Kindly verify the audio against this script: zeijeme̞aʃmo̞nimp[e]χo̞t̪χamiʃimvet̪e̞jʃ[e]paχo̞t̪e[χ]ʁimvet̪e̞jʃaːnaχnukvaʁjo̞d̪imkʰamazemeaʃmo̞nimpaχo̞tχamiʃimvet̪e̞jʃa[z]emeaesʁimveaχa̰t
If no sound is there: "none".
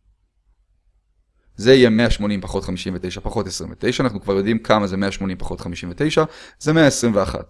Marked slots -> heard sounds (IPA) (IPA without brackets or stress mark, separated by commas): a, a, s, z